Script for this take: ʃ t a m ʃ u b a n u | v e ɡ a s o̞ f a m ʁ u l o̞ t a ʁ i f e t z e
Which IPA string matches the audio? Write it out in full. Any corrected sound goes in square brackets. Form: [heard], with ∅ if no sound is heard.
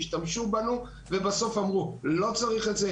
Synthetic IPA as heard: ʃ t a m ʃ u b a n u | v e [b] a s o̞ f a m ʁ u l o̞ [t͡s] a ʁ i [χ] e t z e